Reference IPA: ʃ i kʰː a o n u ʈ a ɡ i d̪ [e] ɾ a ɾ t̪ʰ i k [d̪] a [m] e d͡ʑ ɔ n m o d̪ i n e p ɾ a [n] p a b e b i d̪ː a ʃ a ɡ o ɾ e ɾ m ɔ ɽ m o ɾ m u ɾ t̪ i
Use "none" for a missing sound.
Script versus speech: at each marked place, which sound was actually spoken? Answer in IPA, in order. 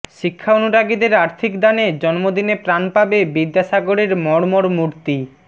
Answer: e, d̪, n, n

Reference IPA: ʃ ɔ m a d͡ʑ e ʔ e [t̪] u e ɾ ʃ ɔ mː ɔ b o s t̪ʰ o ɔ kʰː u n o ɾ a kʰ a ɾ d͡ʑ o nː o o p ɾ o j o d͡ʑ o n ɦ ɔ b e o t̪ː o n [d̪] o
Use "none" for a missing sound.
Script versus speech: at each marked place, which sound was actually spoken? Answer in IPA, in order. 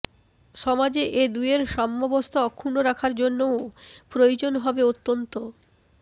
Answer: d̪, t̪

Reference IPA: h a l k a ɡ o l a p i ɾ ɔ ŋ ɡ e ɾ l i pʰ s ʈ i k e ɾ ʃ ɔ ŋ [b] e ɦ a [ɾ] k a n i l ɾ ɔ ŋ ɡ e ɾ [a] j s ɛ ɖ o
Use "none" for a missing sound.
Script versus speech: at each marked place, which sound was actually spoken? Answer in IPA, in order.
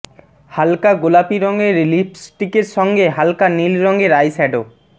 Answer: ɡ, l, a

